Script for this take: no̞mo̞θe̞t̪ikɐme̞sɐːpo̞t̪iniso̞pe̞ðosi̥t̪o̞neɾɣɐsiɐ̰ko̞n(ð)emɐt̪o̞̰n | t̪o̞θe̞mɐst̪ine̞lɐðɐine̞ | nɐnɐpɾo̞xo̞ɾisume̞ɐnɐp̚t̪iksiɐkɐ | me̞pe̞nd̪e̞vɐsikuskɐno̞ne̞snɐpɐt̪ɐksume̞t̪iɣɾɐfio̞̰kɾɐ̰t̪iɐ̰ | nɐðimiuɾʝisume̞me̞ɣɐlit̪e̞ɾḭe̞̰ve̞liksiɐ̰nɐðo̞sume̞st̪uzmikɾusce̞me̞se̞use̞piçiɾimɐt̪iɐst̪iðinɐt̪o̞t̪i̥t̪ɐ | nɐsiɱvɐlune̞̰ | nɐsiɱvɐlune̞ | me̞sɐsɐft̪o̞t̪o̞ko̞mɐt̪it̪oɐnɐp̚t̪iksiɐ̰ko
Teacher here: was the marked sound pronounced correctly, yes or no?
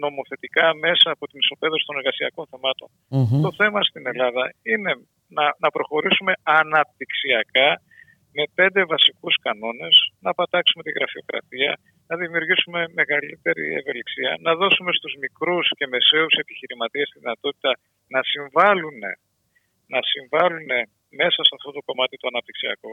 no